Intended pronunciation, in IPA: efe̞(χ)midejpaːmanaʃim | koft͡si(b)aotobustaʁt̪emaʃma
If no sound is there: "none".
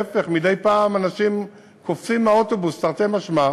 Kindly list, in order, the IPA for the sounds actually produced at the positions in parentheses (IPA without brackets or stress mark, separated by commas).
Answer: χ, m